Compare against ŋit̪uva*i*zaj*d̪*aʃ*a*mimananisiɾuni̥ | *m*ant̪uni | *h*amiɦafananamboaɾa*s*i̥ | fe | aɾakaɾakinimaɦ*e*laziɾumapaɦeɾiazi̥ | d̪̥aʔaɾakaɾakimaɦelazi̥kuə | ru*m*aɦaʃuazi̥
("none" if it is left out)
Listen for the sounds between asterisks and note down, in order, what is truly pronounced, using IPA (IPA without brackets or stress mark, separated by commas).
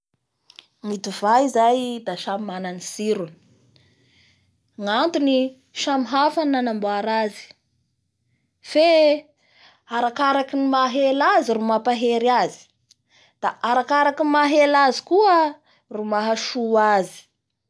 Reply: i, d̪, a, ŋ, ʃ, z, e, m